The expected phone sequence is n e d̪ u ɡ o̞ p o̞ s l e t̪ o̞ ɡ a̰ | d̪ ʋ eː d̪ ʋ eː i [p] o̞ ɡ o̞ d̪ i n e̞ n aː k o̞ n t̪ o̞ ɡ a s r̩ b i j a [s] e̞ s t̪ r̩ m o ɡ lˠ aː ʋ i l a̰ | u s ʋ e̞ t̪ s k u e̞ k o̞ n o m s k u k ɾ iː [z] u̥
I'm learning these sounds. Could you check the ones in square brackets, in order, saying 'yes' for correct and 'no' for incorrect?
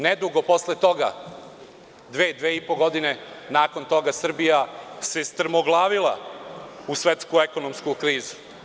yes, yes, yes

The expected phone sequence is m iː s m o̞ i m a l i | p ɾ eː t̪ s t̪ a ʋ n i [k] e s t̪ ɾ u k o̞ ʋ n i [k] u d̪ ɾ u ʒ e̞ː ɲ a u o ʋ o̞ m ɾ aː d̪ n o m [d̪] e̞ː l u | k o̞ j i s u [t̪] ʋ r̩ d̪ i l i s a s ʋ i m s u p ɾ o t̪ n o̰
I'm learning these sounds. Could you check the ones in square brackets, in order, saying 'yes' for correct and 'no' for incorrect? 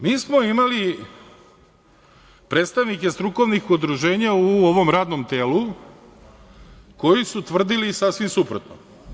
yes, no, no, yes

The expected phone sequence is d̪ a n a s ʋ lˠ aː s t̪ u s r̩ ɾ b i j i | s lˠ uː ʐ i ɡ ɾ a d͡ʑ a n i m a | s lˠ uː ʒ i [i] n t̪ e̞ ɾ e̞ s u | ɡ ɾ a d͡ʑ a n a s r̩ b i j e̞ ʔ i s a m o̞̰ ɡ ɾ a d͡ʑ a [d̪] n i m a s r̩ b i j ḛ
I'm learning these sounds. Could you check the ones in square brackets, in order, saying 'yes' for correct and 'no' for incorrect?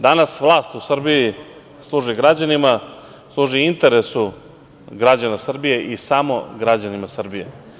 yes, no

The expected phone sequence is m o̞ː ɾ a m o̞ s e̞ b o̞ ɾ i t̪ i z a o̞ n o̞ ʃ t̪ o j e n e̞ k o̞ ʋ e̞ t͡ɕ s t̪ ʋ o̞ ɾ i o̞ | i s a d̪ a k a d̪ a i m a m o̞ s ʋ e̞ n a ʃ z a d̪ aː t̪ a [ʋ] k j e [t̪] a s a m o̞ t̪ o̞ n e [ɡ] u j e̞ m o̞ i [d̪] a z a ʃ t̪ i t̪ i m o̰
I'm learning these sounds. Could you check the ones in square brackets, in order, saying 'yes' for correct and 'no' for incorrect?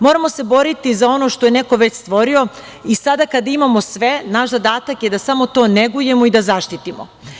no, no, yes, yes

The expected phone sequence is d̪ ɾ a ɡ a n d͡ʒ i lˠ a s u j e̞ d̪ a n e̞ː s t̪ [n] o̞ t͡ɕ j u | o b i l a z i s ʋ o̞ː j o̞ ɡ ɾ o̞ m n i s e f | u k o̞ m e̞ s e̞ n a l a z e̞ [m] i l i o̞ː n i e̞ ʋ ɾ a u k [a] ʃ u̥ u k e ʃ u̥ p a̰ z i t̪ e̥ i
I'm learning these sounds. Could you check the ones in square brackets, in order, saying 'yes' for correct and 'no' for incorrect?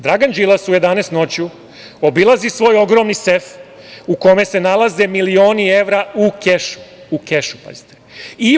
yes, yes, no

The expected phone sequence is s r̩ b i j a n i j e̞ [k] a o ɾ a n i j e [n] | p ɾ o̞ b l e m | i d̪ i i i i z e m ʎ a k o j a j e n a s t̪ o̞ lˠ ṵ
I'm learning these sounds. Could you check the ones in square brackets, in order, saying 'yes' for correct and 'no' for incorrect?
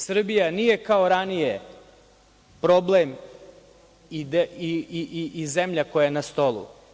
yes, no

